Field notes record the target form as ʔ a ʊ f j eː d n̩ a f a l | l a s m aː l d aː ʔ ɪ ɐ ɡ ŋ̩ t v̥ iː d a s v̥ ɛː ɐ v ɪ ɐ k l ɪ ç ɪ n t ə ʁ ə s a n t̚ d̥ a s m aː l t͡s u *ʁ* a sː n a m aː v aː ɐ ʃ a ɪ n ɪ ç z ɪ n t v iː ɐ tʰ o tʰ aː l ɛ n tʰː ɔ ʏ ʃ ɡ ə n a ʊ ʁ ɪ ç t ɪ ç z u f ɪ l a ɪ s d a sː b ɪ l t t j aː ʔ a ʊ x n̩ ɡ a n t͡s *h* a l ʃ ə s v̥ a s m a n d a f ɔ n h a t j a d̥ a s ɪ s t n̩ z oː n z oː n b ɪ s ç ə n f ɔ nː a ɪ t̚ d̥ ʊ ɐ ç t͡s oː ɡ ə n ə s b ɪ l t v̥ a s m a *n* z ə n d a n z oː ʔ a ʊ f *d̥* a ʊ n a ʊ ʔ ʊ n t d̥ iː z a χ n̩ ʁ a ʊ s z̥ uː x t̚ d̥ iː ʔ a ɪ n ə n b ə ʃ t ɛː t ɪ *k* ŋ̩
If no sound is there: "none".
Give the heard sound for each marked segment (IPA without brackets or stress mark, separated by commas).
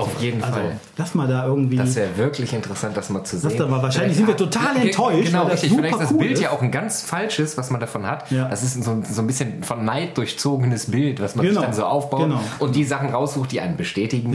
z, f, n, b̥, ɡ